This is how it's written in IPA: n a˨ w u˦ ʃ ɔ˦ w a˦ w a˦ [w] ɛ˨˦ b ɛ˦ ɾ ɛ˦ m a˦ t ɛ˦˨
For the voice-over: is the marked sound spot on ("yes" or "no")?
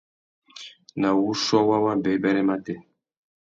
no